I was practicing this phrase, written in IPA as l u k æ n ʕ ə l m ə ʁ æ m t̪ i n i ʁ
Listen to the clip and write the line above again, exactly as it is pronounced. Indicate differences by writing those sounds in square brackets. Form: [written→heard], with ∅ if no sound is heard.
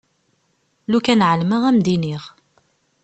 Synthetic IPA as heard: l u k æ n ʕ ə l m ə ʁ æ m [t̪→d̪] i n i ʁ